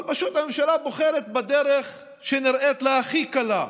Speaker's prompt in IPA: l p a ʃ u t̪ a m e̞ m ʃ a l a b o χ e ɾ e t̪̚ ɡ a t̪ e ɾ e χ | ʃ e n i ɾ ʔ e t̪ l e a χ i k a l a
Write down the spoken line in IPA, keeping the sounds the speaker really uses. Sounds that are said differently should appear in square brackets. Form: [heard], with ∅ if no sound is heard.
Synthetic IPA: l p a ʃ u t̪ a m e̞ m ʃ a l a b o χ e ɾ e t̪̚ [b] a [d̪] e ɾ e χ | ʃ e n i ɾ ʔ e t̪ l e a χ i k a l a